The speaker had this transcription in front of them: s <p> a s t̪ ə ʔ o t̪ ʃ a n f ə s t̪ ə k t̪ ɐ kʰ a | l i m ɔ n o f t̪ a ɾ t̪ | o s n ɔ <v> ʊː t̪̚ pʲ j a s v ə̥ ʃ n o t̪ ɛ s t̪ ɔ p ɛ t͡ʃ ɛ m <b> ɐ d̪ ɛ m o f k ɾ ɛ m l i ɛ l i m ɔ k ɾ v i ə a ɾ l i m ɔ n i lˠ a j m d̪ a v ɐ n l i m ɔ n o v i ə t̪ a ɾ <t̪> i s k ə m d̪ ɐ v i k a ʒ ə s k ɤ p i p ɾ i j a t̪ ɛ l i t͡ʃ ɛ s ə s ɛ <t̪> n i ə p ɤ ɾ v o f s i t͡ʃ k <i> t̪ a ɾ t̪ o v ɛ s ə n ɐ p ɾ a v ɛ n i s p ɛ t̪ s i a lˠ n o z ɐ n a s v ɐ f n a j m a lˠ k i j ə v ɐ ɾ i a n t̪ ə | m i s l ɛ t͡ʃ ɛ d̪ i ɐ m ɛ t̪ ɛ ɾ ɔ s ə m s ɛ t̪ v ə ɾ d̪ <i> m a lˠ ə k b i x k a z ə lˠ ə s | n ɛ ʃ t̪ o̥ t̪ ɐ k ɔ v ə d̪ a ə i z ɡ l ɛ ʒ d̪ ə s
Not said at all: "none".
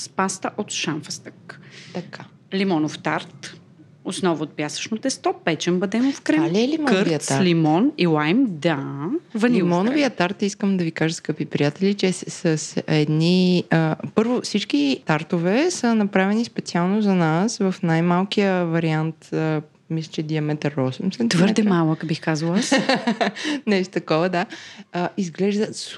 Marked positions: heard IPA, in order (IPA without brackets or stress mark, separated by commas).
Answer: p, v, b, t̪, d̪, i, ɛ